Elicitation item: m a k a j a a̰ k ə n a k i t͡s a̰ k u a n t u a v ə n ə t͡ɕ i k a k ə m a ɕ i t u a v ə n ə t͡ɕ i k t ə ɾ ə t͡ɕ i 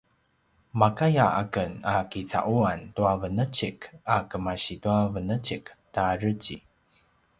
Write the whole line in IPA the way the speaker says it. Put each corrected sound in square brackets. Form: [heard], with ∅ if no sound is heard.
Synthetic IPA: m a k a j a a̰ k ə n a k i t͡s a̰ [ʔ] u a n t u a v ə n ə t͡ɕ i k a k ə m a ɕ i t u a v ə n ə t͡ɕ i k t [a] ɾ ə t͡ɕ i

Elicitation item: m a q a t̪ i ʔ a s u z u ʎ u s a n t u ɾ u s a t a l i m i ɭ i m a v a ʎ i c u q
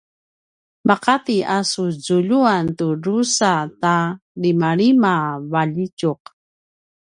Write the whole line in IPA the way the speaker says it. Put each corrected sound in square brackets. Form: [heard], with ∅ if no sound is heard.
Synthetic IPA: m a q a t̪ i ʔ a s u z u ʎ u [∅] a n t u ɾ u s a t a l i m [a] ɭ i m a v a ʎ i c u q

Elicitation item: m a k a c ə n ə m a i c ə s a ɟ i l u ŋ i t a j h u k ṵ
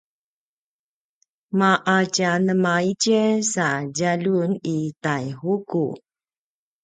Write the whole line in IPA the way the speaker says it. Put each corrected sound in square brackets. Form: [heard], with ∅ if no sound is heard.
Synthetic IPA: m a [ʔ] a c [a] n ə m a i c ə s a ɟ [a] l u [n] i t a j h u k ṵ

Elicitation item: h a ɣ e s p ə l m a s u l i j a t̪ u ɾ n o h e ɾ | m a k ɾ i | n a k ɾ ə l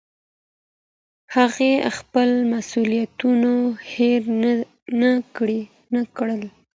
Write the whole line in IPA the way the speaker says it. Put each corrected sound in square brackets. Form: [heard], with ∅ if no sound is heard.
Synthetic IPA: h a ɣ e [x] p ə l m a s u l i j a t̪ u [∅] n o h e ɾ | [n] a k [ɽ] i | n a k [ɽ] ə l

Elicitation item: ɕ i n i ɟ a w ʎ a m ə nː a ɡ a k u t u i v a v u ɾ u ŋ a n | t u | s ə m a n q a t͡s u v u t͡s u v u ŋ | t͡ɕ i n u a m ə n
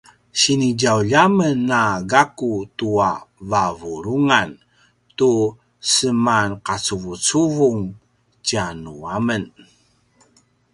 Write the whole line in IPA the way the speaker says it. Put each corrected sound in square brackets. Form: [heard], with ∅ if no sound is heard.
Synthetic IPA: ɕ i n i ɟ a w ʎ a m ə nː a ɡ a k u t u [a] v a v u ɾ u ŋ a n | t u | s ə m a n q a t͡s u v u t͡s u v u ŋ | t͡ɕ [a] n u a m ə n

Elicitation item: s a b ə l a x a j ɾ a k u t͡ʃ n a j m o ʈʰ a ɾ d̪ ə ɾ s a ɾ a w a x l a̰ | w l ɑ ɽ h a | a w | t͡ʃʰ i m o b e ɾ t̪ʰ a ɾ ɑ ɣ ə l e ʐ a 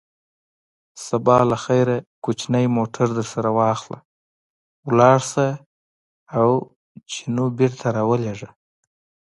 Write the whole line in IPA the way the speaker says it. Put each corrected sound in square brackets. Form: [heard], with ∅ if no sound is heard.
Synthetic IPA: s a b [ɑ] l a x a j ɾ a k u t͡ʃ n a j m o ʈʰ a ɾ d̪ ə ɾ s a ɾ a w [ɑ] x l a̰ | w l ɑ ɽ [s] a | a w | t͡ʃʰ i [n] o b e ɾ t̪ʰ a ɾ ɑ [w] ə l e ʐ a

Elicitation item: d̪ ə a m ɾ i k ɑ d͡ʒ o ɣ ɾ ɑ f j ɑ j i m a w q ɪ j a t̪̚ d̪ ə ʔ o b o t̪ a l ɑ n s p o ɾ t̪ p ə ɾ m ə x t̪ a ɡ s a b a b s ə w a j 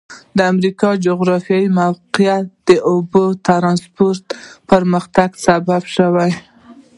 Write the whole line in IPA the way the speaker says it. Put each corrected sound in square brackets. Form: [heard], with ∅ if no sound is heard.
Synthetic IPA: d̪ ə a m ɾ i k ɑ d͡ʒ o ɣ ɾ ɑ f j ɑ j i m a w q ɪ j a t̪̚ d̪ ə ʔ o b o t̪ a [ɾ] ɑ n s p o ɾ t̪ p ə ɾ m ə x t̪ a ɡ s a b a b [ʃ] ə w a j

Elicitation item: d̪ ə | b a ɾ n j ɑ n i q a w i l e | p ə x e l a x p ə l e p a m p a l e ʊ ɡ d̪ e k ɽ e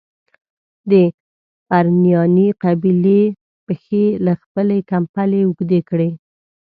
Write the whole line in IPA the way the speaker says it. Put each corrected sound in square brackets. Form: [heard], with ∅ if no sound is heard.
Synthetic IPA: d̪ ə | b a ɾ n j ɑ n i q a [b] i l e | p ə x e l a x p ə l e [k] a m p a l e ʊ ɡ d̪ e k ɽ e

